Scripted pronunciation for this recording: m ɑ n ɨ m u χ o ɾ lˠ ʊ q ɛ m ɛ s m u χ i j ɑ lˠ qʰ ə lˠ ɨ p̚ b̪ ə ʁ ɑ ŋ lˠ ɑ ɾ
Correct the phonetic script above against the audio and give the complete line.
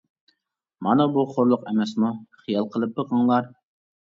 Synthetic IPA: m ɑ n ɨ b u χ o ɾ lˠ ʊ q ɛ m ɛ s m u χ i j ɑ lˠ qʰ ə lˠ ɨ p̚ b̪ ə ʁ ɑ ŋ lˠ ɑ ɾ